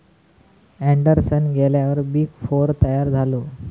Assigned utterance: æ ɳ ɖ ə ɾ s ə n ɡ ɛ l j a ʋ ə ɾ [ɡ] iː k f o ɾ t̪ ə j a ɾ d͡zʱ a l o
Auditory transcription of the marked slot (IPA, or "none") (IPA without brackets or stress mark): b